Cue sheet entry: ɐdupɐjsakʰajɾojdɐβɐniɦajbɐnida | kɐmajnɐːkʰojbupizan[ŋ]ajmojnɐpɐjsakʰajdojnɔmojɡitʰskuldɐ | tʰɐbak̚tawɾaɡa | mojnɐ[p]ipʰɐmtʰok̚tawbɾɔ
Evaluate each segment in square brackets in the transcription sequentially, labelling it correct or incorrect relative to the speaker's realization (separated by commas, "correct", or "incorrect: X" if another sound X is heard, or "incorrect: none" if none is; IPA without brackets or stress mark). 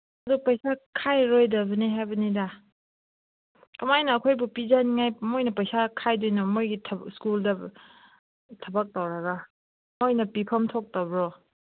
correct, correct